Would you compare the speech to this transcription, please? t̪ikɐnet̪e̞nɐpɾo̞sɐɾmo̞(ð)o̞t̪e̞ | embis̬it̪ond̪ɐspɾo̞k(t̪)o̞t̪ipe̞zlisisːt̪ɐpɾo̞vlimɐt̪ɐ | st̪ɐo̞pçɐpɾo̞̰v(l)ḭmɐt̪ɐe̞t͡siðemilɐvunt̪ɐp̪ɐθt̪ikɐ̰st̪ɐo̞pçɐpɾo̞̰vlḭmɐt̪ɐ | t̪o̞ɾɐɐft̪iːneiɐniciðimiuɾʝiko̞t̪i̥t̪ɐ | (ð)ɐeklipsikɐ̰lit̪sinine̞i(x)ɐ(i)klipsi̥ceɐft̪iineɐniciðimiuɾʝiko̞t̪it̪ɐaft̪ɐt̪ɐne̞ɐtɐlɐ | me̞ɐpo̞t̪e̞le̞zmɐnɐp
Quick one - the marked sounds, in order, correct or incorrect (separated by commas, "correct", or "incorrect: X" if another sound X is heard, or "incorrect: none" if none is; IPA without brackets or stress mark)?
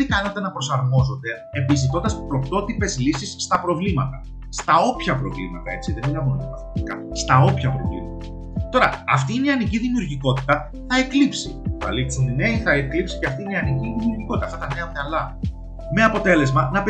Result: incorrect: z, correct, correct, incorrect: θ, incorrect: θ, incorrect: e